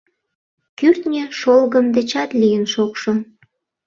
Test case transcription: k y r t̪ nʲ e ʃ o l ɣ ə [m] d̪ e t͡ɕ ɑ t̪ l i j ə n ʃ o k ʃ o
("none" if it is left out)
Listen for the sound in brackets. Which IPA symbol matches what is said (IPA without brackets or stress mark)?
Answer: m